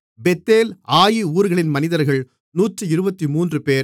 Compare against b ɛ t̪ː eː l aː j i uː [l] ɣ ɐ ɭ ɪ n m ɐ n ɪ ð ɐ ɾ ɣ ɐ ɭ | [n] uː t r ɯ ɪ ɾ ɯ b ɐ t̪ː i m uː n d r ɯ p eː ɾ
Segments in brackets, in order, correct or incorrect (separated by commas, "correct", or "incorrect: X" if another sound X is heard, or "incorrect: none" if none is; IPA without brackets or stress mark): incorrect: ɾ, correct